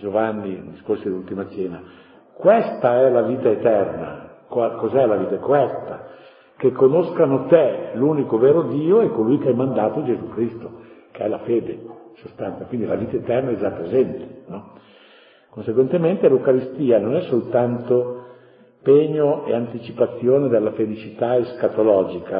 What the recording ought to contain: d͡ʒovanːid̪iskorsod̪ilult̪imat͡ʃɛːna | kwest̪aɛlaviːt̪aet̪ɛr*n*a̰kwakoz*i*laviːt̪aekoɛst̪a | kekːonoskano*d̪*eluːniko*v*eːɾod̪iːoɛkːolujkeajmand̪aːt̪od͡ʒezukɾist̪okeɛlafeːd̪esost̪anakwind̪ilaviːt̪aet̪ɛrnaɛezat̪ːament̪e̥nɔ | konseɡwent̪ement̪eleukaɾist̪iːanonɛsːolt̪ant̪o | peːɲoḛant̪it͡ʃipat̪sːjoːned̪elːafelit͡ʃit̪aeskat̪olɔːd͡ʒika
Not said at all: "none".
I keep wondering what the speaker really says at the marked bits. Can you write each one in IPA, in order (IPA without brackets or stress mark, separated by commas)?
n, ɛ, t̪, v